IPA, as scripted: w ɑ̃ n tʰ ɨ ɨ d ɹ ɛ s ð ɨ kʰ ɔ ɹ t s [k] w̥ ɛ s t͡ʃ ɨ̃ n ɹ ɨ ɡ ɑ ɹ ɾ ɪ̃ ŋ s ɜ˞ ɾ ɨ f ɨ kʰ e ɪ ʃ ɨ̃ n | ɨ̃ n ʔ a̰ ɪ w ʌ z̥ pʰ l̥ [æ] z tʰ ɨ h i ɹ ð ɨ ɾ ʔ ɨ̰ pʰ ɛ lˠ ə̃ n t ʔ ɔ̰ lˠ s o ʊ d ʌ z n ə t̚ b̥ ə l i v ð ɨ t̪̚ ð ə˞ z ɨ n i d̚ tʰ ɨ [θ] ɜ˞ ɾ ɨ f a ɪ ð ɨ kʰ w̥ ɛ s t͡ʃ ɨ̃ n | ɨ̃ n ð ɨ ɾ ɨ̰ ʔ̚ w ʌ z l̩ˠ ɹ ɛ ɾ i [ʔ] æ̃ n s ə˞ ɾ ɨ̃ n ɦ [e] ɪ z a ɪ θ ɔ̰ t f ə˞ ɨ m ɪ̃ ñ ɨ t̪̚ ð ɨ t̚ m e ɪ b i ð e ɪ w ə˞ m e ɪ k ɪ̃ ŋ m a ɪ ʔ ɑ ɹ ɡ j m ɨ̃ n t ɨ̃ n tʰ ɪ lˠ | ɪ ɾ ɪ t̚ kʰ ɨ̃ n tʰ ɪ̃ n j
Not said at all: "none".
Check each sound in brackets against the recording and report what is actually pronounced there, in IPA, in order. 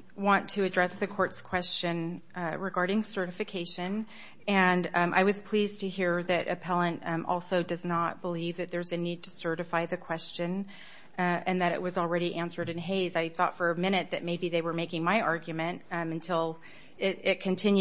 kʰ, i, s, ʔ, e

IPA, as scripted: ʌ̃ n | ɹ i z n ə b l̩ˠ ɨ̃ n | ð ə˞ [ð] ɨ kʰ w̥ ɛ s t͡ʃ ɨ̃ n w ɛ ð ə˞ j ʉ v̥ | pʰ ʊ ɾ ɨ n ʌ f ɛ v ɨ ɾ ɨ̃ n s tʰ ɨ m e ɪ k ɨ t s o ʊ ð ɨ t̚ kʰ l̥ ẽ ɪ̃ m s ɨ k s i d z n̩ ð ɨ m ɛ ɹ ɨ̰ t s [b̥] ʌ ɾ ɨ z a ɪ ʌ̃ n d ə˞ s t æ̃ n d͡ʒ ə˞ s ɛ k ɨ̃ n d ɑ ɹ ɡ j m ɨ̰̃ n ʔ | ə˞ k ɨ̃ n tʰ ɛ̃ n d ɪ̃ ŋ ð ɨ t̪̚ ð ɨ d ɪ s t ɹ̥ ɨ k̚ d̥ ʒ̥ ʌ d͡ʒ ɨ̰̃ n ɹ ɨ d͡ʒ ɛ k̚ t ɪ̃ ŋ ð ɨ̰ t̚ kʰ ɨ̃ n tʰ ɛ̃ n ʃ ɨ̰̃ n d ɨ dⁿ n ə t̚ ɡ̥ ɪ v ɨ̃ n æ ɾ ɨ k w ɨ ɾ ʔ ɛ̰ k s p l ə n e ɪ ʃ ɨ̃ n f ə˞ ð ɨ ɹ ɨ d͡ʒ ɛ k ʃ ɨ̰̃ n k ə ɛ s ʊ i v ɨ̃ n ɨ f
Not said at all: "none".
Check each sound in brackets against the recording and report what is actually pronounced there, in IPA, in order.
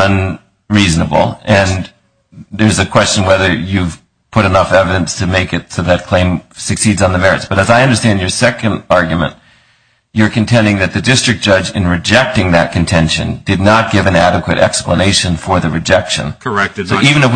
z, b̥

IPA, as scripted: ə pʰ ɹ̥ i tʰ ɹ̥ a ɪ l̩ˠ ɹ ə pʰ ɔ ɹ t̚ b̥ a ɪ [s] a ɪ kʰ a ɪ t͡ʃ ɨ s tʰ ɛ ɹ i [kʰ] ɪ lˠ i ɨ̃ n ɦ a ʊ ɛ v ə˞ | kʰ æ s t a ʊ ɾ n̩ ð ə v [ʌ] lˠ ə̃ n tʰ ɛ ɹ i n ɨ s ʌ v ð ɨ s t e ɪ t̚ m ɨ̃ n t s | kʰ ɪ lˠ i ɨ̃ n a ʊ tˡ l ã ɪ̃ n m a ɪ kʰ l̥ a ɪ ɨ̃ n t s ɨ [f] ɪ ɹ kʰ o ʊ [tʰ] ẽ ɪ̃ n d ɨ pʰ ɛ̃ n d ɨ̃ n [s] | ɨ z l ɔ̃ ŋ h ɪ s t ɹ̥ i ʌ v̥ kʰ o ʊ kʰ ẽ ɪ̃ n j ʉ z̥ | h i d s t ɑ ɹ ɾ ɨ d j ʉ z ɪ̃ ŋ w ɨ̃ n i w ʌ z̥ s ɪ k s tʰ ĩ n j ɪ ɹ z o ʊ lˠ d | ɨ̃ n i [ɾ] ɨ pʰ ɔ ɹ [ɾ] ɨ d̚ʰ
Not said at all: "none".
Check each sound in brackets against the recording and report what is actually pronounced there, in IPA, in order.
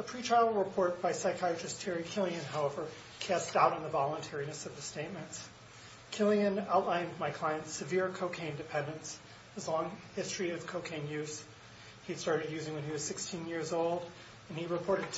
s, kʰ, ɑ, v, kʰ, s, ɹ, ɾ

